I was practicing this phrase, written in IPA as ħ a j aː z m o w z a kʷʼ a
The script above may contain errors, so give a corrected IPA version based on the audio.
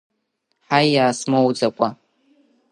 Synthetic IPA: ħ a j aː s m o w d͡z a kʷʼ a